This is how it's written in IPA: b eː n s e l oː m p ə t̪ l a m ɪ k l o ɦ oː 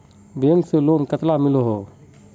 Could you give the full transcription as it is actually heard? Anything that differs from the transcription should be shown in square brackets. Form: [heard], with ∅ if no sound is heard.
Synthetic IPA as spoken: b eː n s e l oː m [k] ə t̪ l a m ɪ [∅] l o ɦ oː